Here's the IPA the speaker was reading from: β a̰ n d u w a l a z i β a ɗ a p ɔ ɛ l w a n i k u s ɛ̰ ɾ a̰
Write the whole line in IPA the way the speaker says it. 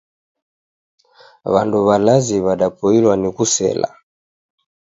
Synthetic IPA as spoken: β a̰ n d u β a l a z i β a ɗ a p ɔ i l w a n i k u s ɛ̰ l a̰